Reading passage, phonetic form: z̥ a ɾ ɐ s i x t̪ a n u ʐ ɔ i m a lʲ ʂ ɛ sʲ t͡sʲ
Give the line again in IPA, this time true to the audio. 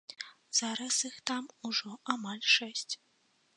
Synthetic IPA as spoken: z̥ a ɾ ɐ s i x t̪ a m u ʐ ɔ a m a lʲ ʂ ɛ sʲ t͡sʲ